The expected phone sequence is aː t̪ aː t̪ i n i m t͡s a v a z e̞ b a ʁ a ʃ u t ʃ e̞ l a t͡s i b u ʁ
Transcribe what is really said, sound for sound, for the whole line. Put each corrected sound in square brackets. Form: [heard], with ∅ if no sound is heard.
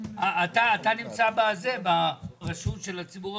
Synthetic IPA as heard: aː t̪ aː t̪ [a] n i m t͡s a [b] a z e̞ b a ʁ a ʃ u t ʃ e̞ l a t͡s i b u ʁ